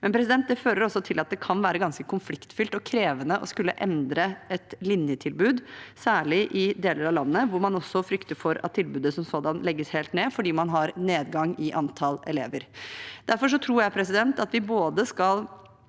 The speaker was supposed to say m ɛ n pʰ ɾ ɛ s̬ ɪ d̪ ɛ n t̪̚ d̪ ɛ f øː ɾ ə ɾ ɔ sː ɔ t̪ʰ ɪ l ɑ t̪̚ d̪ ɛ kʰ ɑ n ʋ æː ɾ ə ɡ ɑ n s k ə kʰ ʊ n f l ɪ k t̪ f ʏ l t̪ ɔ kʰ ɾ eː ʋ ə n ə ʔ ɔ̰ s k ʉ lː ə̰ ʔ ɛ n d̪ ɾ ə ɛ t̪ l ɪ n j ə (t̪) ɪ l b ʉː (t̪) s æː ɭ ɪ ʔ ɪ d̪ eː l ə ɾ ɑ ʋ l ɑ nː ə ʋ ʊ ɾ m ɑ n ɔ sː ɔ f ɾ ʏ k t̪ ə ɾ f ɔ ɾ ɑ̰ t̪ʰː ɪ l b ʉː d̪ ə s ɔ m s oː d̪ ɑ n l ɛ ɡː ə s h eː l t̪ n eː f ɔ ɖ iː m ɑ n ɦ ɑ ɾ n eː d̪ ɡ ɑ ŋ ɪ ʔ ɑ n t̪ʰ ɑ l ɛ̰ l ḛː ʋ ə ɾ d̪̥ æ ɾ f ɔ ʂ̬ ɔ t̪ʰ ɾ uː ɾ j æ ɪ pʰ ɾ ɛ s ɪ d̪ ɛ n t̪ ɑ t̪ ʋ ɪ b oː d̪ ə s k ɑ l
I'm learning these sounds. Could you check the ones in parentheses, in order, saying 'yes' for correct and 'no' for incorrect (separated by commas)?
no, no